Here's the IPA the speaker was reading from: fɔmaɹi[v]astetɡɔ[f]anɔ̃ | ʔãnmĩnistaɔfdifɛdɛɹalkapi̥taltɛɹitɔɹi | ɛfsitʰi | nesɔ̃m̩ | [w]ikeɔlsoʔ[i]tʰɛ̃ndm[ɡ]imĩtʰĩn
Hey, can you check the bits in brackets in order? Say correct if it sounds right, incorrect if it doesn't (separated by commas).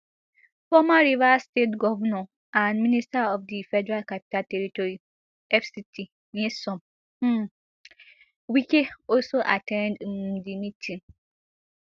correct, incorrect, correct, incorrect, incorrect